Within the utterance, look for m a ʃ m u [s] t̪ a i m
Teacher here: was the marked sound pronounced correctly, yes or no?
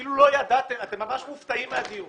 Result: no